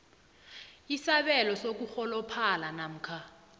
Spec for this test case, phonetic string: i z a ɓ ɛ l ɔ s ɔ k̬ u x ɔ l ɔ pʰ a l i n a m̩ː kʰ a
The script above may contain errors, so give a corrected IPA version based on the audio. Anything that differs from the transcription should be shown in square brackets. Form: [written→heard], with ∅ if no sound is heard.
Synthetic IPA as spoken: i [z→s] a ɓ ɛ l ɔ s [ɔ→o] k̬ u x ɔ l ɔ pʰ a l [i→a] n a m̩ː kʰ a

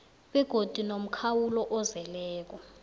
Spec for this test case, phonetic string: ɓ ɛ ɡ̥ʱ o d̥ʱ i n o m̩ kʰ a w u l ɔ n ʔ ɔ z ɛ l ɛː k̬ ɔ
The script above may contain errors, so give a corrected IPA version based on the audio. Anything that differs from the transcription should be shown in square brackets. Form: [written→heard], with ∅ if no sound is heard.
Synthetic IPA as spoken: ɓ ɛ ɡ̥ʱ o d̥ʱ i n o m̩ kʰ a w u l ɔ [n→∅] ʔ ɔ z ɛ l ɛː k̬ ɔ

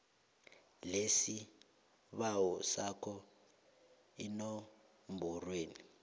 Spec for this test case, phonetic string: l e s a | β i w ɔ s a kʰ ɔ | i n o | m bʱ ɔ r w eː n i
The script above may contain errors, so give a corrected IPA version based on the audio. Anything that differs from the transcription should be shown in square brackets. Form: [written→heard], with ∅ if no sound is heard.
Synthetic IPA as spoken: l e s [a→i] | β [i→a] w ɔ s a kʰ ɔ | i n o | m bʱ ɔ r w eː n i

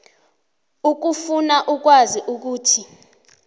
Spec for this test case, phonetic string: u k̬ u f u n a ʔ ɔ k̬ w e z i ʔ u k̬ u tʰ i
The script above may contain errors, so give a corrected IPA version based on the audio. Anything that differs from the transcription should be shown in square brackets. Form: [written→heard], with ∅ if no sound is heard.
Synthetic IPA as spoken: u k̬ u f u n a ʔ [ɔ→u] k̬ w [e→a] z i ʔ u k̬ [u→uː] tʰ i

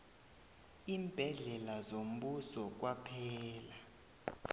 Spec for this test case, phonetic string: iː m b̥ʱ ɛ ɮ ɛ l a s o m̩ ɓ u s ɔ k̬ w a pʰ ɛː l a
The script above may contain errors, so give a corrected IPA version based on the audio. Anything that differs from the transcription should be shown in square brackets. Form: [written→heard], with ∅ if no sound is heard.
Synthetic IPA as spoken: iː m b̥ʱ ɛ ɮ ɛ l a [s→z] o m̩ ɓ u s ɔ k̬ w a pʰ ɛː l a

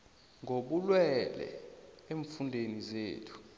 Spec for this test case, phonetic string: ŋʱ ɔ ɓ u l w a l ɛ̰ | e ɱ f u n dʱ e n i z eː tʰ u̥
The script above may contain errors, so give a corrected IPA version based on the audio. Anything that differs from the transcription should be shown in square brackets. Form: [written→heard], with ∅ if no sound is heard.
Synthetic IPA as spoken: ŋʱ [ɔ→o] ɓ u l w [a→ɛ] l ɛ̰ | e ɱ f u n dʱ e n i z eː tʰ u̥

